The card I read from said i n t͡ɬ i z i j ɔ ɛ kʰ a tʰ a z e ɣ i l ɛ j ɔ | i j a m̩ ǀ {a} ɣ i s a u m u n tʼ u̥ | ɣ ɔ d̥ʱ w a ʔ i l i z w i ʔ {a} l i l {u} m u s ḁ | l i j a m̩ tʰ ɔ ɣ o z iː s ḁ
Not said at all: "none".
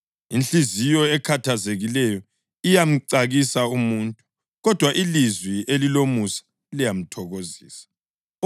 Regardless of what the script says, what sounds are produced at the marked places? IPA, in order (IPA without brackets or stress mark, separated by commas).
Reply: a, e, o